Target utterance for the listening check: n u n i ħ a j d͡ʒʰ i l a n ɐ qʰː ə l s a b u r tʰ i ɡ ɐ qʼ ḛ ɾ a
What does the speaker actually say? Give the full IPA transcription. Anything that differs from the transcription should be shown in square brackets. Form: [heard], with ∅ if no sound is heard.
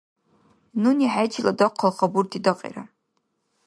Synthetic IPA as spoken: n u n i ħ a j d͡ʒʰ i l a [d] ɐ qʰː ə l [χ] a b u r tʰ i [d] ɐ qʼ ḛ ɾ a

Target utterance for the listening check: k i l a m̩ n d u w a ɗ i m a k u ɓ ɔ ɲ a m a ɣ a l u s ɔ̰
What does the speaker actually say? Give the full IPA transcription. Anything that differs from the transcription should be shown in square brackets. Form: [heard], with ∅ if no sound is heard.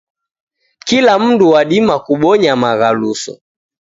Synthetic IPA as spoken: k i l a m̩ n d u w a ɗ i m a k u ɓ ɔ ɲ a m a ɣ a l u s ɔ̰

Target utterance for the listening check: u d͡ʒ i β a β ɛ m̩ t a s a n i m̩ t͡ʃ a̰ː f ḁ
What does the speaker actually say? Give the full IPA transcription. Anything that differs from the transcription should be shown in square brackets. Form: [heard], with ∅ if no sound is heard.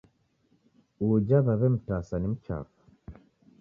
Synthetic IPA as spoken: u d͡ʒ [a] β a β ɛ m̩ t a s a n i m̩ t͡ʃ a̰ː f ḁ

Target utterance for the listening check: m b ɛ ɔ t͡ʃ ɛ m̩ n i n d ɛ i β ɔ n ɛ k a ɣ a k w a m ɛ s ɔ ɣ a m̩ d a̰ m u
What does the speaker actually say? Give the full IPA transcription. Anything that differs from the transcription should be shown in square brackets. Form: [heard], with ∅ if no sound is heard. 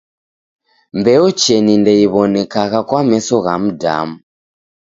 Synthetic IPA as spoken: m b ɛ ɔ t͡ʃ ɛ [∅] n i n d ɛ i β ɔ n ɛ k a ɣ a k w a m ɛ s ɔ ɣ a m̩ d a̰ m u

